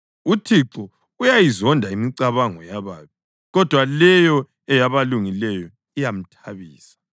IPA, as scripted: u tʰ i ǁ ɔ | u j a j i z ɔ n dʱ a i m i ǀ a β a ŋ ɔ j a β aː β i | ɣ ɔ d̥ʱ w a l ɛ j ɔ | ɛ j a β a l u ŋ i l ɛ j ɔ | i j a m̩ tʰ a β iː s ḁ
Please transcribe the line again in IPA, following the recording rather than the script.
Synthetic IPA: u tʰ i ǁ ɔ | u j a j i z ɔ n dʱ a i m i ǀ a β a ŋ ɔ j a β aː β i | ɣ ɔ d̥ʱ w a l ɛ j ɔ | ɛ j a β a l u ŋ i l ɛ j ɔ | i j a m̩ tʰ a β iː s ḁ